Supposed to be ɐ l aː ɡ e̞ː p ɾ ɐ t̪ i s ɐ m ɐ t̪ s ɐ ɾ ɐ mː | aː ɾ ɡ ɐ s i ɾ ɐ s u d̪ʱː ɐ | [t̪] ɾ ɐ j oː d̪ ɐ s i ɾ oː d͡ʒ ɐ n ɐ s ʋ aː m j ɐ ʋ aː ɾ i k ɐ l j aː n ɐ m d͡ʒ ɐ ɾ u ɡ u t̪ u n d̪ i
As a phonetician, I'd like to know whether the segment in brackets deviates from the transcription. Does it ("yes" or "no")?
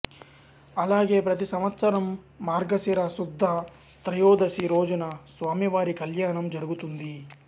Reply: no